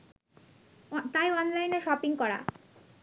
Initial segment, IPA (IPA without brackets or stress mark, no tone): t̪